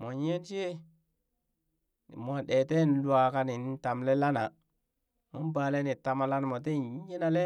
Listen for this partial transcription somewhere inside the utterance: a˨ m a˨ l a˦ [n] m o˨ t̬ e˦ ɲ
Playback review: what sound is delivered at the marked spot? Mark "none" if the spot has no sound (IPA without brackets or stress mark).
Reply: n